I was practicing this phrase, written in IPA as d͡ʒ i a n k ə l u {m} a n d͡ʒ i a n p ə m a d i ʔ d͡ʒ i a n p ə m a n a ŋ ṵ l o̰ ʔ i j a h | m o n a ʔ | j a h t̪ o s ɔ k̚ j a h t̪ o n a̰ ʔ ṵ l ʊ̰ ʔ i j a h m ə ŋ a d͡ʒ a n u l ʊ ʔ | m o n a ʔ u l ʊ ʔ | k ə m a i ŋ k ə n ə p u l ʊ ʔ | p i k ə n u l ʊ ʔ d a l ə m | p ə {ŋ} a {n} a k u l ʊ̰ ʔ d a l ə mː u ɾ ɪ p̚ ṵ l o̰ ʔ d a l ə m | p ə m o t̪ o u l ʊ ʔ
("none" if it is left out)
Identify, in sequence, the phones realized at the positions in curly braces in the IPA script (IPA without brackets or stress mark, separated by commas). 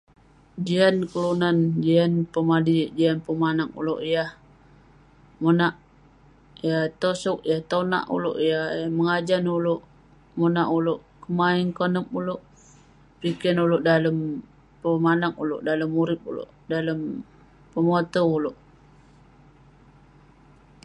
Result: n, m, n